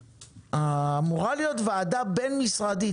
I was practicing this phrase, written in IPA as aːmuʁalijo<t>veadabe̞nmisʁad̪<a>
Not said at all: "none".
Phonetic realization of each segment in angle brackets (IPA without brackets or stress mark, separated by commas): t, i